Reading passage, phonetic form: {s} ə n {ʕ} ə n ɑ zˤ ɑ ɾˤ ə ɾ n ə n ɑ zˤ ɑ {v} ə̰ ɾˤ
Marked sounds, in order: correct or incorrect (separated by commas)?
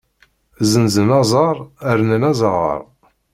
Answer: incorrect, incorrect, incorrect